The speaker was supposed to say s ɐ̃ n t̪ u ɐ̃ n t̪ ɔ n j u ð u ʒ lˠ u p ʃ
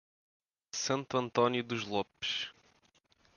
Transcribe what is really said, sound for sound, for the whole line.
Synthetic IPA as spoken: s ɐ̃ n t̪ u ɐ̃ n t̪ ɔ n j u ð u ʒ lˠ ɔ p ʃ

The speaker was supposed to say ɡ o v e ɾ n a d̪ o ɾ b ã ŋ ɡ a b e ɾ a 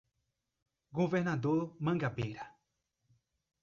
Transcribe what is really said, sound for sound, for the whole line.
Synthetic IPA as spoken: ɡ o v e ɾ n a d̪ o ɾ m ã ŋ ɡ a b e ɾ a

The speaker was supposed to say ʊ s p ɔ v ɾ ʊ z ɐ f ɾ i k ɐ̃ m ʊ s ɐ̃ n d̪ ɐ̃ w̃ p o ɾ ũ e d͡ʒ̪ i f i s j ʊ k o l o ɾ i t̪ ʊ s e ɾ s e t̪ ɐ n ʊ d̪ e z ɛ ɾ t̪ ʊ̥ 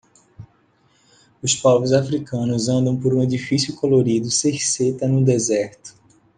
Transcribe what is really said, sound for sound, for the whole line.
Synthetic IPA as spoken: ʊ s p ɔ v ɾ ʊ z a f ɾ i k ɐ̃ n ʊ z ɐ̃ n d̪ ɐ̃ w̃ p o ɾ ũ e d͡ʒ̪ i f i s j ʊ k o l o ɾ i d̪ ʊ s e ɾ s e t̪ ɐ n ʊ d̪ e z ɛ ɾ t̪ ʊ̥

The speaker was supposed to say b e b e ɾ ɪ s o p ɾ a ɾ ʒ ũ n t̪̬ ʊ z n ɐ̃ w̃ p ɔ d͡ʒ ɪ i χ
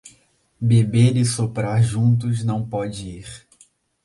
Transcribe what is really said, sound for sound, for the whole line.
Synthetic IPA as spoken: b e b e ɾ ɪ s o p ɾ a ɾ ʒ ũ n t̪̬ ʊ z n ɐ̃ w̃ p ɔ d͡ʒ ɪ i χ

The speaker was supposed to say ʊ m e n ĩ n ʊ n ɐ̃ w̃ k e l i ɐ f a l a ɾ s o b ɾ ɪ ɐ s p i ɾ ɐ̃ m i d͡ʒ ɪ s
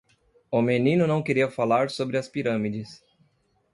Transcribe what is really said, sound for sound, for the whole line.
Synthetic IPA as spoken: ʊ m e n ĩ n ʊ n ɐ̃ w̃ k e ɾ i ɐ f a l a ɾ s o b ɾ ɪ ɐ s p i ɾ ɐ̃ m i d͡ʒ ɪ s

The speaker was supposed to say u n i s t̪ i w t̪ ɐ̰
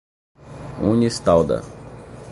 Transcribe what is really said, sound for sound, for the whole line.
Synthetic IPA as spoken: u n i s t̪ a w d̪ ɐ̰

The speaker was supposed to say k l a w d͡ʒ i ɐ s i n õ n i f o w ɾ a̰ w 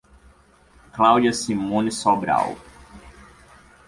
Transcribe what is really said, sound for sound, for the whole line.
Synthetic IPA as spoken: k l a w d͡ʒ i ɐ s i m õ n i s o b ɾ a̰ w

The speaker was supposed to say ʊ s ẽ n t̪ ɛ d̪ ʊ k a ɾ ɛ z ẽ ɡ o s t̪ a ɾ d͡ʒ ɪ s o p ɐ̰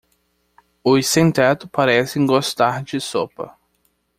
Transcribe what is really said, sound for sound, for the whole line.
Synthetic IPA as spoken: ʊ s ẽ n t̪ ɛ t̪ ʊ p a ɾ ɛ s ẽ ɡ o s t̪ a ɾ d͡ʒ ɪ s o p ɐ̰

